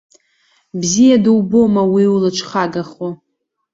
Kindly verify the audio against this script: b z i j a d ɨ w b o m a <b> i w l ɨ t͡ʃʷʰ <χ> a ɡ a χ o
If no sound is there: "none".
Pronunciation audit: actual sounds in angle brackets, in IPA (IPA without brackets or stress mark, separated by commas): w, χ